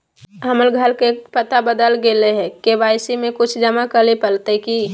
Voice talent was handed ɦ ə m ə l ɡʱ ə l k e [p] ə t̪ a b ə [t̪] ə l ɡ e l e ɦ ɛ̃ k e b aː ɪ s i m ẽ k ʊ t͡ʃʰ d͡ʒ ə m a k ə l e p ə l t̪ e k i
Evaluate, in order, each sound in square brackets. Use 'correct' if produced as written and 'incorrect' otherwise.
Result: correct, incorrect: d̪

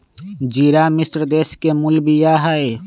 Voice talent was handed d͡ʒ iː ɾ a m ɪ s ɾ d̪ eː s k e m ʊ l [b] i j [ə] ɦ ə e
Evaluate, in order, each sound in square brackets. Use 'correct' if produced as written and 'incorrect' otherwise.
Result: correct, incorrect: a

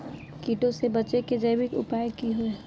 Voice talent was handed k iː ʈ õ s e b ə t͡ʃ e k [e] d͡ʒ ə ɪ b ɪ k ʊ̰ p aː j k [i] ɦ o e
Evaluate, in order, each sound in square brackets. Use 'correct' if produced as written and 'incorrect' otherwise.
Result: correct, correct

